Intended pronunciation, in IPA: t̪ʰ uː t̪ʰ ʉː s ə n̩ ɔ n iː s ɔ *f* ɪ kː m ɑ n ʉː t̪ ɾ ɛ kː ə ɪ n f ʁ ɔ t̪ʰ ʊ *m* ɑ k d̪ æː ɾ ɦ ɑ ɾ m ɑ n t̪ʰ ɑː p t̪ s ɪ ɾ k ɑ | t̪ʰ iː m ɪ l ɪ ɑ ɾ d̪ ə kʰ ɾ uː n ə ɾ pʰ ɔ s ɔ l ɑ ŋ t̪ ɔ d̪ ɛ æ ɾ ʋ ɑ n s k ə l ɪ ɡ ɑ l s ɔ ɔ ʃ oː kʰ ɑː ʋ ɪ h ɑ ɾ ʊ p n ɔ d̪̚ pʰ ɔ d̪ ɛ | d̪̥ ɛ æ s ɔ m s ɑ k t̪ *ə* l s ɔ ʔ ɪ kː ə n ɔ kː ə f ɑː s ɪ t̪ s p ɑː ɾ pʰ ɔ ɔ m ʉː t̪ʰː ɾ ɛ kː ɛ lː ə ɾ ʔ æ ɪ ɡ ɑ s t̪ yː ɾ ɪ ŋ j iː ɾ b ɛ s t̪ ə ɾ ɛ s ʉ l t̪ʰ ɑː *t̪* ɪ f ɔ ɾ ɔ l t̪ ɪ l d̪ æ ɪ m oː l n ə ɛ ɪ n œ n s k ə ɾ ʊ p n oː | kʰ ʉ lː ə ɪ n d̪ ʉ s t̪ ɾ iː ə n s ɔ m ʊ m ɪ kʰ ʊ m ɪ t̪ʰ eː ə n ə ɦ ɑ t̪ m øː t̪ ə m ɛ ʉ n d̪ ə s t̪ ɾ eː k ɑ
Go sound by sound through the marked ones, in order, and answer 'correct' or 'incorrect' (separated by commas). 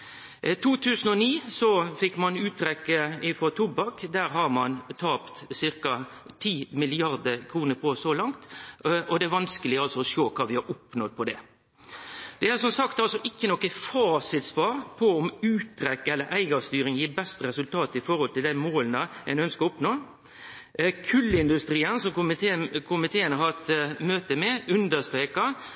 correct, incorrect, incorrect, correct